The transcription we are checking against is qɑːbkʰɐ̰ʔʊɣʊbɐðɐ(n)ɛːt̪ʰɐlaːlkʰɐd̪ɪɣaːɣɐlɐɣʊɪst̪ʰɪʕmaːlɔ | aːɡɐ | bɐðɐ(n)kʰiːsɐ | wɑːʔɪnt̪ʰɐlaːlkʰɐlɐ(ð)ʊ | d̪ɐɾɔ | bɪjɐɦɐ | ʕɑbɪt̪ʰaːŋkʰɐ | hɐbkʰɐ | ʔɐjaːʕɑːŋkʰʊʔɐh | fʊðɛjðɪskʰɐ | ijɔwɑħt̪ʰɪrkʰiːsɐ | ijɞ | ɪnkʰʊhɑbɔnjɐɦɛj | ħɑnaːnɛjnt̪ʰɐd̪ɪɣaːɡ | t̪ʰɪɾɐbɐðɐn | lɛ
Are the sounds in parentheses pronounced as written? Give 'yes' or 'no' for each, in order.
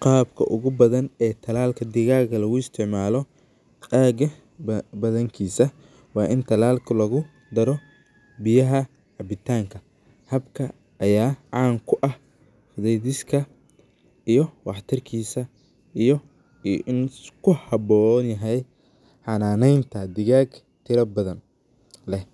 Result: yes, no, no

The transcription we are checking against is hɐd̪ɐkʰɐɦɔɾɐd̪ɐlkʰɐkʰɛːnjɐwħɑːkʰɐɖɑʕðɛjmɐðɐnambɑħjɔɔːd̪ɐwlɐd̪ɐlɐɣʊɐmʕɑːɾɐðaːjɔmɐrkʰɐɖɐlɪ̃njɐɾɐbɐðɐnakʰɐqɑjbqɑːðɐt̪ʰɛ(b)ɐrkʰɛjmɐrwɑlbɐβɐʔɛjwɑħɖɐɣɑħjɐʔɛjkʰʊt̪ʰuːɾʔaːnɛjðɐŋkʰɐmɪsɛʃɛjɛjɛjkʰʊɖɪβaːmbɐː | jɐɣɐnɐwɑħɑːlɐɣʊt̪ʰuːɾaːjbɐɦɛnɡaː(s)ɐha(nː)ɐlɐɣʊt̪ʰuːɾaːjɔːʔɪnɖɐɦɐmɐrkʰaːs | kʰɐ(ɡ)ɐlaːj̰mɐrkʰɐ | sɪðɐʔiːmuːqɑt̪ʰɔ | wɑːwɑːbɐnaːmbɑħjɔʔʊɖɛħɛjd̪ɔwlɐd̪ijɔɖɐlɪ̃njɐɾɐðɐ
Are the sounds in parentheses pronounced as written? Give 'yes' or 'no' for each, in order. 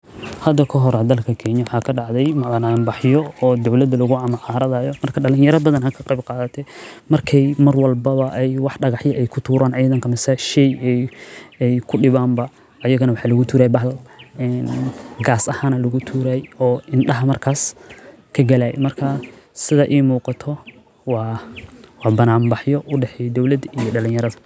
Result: no, yes, no, yes

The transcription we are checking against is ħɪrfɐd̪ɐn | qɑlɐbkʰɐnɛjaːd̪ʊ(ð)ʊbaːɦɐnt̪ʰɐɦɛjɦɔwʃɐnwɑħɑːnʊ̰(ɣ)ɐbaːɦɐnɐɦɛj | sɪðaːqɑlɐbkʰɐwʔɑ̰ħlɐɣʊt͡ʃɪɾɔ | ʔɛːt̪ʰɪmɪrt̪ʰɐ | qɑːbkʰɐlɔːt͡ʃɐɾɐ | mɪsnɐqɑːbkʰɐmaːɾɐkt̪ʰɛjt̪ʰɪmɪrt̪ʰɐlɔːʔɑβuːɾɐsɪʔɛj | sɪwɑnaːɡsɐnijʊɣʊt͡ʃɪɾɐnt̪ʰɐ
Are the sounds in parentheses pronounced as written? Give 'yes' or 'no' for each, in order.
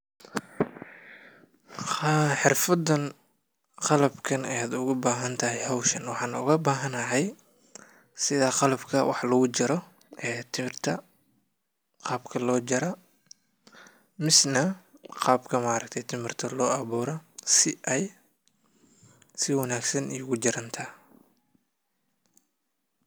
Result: no, yes

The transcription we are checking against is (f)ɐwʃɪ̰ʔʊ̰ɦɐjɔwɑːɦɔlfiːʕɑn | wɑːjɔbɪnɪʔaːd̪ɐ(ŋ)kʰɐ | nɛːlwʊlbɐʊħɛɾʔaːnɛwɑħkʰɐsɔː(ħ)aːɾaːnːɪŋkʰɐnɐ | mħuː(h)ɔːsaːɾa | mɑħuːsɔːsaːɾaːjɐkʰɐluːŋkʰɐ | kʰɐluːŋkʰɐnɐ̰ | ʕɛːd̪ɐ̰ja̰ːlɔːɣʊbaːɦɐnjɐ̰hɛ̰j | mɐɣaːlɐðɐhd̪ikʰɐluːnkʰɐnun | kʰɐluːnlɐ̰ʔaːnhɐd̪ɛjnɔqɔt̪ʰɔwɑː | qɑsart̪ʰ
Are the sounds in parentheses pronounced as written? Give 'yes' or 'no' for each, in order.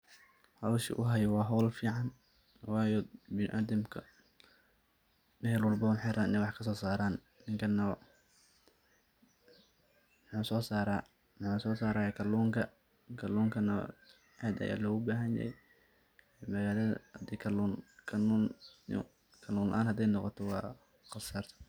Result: no, no, no, no

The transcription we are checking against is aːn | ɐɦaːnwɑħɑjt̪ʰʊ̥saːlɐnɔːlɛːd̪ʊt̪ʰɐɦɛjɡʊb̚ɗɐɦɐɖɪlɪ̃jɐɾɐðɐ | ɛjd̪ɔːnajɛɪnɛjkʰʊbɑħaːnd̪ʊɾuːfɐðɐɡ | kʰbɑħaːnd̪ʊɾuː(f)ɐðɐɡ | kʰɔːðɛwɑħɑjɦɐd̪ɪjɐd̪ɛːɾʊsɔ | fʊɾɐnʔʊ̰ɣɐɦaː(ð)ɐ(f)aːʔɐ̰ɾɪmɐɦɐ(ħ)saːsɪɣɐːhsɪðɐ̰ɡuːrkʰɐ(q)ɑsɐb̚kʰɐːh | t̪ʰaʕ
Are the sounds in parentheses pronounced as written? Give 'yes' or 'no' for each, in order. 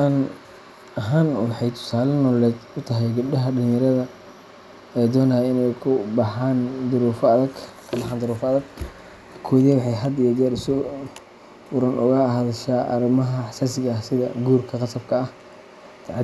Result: yes, yes, no, yes, yes

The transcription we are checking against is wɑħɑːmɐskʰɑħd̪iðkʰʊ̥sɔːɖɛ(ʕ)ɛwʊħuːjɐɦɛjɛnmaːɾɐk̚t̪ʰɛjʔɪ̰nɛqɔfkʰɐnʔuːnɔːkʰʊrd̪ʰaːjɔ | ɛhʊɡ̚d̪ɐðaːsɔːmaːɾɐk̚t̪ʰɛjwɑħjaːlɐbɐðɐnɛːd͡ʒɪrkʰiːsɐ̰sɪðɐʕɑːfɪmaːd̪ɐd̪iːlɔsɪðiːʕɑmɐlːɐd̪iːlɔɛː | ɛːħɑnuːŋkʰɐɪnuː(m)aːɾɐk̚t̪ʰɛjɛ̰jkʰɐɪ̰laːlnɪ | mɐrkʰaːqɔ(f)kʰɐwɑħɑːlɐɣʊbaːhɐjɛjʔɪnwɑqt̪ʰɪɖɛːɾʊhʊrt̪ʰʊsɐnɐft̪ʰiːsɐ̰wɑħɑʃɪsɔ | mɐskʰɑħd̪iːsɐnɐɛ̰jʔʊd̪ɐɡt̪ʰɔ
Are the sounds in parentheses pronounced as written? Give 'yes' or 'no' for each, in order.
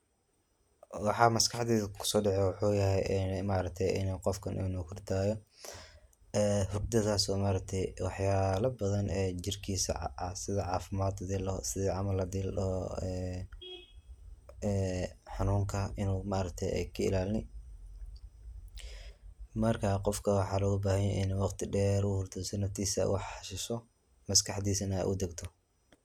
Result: yes, yes, yes

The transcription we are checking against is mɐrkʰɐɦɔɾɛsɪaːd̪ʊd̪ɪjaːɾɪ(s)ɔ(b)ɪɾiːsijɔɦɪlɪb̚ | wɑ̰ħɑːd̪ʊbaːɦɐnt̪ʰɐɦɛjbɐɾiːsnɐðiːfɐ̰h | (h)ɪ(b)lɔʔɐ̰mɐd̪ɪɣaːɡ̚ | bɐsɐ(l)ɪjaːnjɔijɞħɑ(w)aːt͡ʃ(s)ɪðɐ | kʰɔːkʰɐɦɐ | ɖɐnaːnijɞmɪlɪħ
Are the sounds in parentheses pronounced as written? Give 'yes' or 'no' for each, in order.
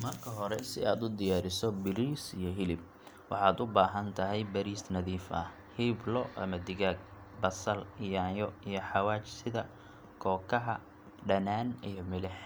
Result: yes, yes, yes, yes, yes, yes, yes

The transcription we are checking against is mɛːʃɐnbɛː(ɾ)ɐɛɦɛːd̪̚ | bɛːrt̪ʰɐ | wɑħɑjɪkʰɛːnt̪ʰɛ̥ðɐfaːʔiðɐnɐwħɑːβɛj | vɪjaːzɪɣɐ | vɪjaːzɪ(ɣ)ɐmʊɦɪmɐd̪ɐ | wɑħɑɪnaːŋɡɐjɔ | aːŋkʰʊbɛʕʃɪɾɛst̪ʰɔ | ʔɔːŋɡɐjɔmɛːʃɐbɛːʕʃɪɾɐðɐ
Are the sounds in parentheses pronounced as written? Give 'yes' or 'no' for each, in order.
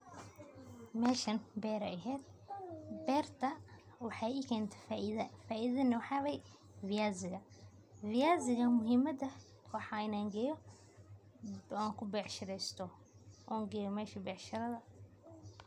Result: yes, yes

